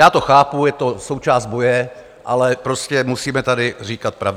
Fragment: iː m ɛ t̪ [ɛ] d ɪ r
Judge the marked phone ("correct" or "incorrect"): incorrect